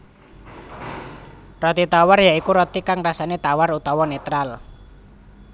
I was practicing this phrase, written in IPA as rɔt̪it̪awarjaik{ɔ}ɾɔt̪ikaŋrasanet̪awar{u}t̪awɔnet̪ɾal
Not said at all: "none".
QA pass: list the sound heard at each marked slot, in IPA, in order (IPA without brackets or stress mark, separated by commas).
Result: u, u